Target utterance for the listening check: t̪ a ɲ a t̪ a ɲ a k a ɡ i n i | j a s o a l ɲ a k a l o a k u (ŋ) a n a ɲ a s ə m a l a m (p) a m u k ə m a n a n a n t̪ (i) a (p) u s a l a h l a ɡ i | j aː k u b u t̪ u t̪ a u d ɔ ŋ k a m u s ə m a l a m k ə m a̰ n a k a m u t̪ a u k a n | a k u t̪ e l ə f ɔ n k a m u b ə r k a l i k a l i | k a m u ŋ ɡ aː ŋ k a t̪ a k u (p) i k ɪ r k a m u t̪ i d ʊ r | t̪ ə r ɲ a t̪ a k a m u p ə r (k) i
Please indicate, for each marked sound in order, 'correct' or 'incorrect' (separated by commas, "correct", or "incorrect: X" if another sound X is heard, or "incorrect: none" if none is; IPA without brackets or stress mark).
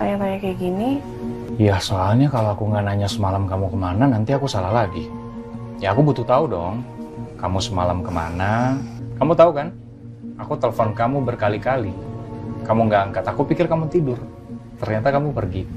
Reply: correct, incorrect: k, correct, incorrect: k, correct, incorrect: ɡ